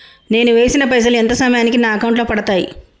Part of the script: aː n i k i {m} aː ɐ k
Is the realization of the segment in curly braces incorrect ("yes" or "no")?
yes